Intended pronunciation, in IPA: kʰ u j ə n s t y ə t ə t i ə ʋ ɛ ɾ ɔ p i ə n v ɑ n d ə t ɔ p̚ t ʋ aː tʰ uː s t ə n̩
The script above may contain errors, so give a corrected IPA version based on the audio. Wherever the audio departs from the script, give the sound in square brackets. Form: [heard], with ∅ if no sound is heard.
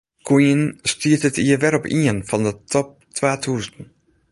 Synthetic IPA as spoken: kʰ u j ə n s t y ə t ə t i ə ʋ ɛ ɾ ɔ p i ə n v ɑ n d ə t ɔ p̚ t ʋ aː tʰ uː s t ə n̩